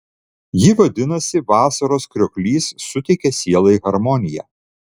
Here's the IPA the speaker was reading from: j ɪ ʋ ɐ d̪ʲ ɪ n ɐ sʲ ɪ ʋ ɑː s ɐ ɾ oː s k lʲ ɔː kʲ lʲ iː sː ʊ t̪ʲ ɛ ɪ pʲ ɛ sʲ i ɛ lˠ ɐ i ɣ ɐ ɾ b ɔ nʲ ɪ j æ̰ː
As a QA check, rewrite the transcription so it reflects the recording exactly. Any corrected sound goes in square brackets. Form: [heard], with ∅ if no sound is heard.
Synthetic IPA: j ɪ ʋ ɐ d̪ʲ ɪ n ɐ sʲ ɪ ʋ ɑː s ɐ ɾ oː s k [ɾʲ] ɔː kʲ lʲ iː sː ʊ t̪ʲ ɛ ɪ [kʲ] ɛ sʲ i ɛ lˠ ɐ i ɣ ɐ ɾ [m] ɔ nʲ ɪ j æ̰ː